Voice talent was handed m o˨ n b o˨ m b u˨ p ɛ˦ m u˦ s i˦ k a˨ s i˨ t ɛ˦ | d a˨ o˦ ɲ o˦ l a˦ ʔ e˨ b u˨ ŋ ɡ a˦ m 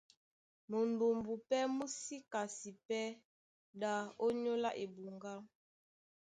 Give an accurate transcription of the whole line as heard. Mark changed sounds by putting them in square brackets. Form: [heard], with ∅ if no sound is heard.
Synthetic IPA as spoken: m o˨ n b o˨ m b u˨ p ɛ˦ m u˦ s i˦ k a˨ s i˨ [p] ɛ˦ | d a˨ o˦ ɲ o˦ l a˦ ʔ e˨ b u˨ ŋ ɡ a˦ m